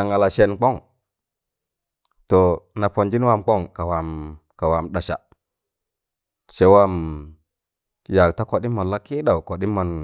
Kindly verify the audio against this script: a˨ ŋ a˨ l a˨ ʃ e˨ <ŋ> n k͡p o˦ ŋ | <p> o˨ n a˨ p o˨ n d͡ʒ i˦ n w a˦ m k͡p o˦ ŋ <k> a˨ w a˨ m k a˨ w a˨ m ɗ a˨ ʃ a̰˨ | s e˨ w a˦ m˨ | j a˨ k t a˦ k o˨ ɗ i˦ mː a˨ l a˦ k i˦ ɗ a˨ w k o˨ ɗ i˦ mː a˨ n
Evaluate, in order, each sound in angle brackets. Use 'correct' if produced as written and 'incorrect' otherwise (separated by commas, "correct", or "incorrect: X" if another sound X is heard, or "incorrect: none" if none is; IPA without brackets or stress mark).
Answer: incorrect: none, incorrect: t, correct